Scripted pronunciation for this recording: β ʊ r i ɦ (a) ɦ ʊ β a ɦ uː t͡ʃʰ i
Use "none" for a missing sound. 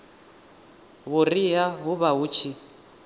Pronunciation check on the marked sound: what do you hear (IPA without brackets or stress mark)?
a